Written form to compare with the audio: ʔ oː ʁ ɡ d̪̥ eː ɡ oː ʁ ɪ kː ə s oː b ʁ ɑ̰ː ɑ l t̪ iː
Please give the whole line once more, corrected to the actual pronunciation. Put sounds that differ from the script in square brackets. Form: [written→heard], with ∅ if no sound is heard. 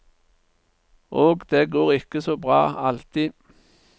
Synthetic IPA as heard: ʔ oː [ʁ→∅] ɡ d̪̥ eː ɡ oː ʁ ɪ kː ə s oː b ʁ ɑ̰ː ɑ l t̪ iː

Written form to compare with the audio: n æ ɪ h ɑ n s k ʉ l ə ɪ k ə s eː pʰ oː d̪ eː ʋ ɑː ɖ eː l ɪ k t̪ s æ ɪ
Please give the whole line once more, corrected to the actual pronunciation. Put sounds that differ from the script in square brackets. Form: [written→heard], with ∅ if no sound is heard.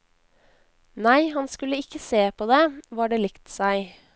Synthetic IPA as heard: n æ ɪ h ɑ n s k ʉ l ə ɪ k ə s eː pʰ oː d̪ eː ʋ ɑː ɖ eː l ɪ k t̪ s æ ɪ

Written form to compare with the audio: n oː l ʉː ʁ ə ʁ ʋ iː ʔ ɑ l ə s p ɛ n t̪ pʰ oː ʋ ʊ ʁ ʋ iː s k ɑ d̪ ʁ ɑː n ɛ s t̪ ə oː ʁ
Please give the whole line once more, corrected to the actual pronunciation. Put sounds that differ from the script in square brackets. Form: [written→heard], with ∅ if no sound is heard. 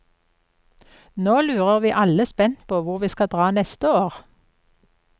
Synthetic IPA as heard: n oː l ʉː ʁ ə ʁ ʋ iː ʔ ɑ l ə s p ɛ n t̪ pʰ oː ʋ ʊ ʁ ʋ iː s k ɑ d̪ ʁ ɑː n ɛ s t̪ ə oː ʁ

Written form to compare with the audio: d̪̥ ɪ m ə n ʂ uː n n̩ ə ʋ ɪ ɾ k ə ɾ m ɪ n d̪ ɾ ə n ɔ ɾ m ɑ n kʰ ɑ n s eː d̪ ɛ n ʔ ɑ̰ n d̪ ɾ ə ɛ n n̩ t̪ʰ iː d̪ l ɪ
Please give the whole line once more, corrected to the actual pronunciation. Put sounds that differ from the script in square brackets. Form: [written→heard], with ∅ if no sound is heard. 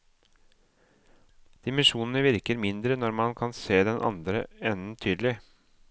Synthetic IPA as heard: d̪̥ ɪ m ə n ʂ uː n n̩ ə ʋ ɪ ɾ k ə ɾ m ɪ n d̪ ɾ ə n ɔ ɾ m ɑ n kʰ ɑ n s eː d̪ ɛ n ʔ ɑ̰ n d̪ ɾ ə ɛ n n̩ t̪ʰ [iː→yː] d̪ l ɪ

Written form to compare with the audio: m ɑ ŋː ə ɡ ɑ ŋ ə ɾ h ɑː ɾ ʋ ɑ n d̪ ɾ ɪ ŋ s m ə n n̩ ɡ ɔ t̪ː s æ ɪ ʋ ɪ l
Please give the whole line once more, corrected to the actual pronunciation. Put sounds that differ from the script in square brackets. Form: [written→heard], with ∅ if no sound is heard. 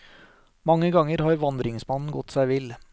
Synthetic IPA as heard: m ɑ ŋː ə ɡ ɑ ŋ ə ɾ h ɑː ɾ ʋ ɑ n d̪ ɾ ɪ ŋ s m [ə→ɑ] n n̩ ɡ ɔ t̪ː s æ ɪ ʋ ɪ l

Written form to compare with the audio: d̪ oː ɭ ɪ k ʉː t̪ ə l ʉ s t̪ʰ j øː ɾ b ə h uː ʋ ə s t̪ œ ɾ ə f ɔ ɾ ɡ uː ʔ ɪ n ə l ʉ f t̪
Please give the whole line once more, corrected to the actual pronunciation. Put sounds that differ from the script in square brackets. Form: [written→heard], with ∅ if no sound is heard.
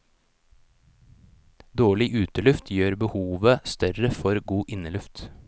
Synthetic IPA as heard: d̪ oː ɭ ɪ [k→ʔ] ʉː t̪ ə l ʉ [s→f] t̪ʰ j øː ɾ b ə h uː ʋ ə s t̪ œ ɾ ə f ɔ ɾ ɡ uː ʔ ɪ n ə l ʉ f t̪

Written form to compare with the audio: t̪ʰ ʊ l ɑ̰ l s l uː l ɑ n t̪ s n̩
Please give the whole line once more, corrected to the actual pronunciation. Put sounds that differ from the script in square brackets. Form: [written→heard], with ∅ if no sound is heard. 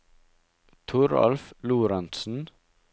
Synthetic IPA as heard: t̪ʰ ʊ [l→ɾ] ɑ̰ l [s→f] l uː [l→ɾ] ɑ n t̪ s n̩

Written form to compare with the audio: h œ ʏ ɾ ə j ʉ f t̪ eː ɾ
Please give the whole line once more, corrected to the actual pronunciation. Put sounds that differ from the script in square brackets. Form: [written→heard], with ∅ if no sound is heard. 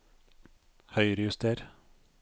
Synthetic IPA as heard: h œ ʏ ɾ ə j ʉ [f→s] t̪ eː ɾ

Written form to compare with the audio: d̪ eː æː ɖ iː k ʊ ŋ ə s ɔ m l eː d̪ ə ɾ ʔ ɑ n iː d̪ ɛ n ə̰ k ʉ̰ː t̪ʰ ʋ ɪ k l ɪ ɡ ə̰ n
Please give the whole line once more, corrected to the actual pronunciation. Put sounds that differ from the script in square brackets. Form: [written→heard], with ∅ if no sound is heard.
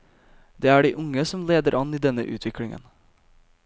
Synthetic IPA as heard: d̪ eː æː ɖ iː [k→ʔ] ʊ ŋ ə s ɔ m l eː d̪ ə ɾ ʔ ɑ n iː d̪ ɛ n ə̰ [k→ʔ] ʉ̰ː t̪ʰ ʋ ɪ k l ɪ [ɡ→ŋ] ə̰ n

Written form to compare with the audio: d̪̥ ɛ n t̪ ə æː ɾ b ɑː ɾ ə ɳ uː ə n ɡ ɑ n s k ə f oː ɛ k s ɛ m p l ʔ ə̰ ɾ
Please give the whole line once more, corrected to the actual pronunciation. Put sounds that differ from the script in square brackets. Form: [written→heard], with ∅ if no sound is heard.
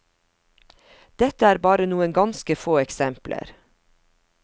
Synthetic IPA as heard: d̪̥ ɛ [n→∅] t̪ ə æː ɾ b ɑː ɾ ə [ɳ→n] uː ə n ɡ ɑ n s k ə f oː ɛ k s ɛ m p l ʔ ə̰ ɾ

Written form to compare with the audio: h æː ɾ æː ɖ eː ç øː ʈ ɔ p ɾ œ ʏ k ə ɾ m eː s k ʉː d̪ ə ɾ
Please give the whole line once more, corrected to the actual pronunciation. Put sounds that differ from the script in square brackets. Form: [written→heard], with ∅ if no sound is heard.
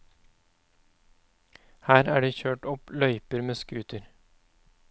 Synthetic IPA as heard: h æː ɾ æː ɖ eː ç øː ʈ ɔ p [ɾ→l] œ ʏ [k→p] ə ɾ m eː s k ʉː [d̪→t̪] ə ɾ

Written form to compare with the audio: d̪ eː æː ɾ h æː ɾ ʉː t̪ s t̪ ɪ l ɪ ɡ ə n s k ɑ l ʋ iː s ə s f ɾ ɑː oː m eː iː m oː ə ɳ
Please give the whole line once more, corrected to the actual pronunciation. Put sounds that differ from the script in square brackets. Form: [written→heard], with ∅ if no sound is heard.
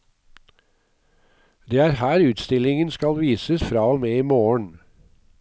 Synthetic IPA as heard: d̪ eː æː ɾ h æː ɾ ʉː t̪ s t̪ ɪ l ɪ [ɡ→ŋ] ə n s k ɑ l ʋ iː s ə s f ɾ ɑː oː m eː iː m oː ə ɳ

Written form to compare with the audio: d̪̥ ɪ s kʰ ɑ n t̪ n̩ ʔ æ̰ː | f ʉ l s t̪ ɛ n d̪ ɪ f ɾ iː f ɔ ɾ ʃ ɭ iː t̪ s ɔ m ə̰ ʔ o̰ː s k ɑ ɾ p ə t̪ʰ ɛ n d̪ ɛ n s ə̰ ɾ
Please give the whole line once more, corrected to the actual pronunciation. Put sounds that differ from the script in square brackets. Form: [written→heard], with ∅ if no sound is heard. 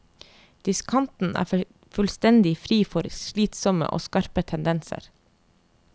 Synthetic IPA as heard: d̪̥ ɪ s kʰ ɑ n t̪ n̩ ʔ æ̰ː | f ʉ l s t̪ ɛ n d̪ ɪ f ɾ iː f ɔ ɾ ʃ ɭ iː t̪ s ɔ m ə̰ ʔ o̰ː s k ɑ ɾ p ə t̪ʰ ɛ n d̪ ɛ n s ə̰ ɾ

